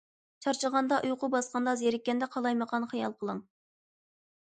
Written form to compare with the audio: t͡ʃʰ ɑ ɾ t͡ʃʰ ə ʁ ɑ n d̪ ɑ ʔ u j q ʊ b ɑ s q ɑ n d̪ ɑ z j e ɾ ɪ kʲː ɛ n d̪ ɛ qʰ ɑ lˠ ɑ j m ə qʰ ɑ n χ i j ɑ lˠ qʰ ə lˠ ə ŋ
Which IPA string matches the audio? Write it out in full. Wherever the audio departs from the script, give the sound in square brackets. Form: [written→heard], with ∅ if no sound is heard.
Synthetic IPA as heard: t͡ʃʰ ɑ ɾ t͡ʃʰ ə ʁ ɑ n d̪ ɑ ʔ u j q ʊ b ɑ s q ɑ n d̪ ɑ z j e ɾ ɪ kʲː ɛ n d̪ ɛ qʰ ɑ lˠ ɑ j m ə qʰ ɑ n χ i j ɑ lˠ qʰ ə lˠ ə ŋ